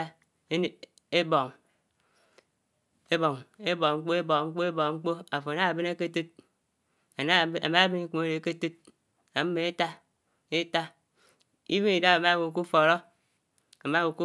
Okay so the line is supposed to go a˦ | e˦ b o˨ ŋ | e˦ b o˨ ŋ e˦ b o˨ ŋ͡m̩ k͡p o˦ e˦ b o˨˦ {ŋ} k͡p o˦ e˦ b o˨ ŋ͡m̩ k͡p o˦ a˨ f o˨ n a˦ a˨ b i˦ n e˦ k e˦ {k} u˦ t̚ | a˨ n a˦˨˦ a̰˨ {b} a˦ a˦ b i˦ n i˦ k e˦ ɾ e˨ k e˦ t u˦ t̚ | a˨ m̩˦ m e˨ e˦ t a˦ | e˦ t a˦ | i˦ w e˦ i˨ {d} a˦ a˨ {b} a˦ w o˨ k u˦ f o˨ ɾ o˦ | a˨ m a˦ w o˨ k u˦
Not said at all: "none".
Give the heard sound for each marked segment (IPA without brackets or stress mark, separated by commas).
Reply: ŋ͡m̩, t, m, d, m